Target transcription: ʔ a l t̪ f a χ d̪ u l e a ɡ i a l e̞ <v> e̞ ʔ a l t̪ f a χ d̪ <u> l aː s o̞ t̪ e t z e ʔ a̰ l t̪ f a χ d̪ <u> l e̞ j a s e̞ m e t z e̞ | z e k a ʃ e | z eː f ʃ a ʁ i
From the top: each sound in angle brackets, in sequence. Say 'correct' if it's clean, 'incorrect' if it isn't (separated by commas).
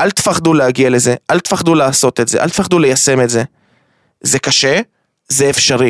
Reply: incorrect, correct, correct